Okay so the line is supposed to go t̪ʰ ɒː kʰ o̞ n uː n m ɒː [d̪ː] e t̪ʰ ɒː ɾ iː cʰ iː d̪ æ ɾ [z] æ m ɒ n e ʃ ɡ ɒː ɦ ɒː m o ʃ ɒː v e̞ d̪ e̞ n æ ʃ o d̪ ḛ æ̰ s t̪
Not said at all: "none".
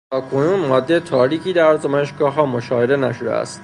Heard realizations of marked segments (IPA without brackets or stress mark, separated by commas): d̪ː, z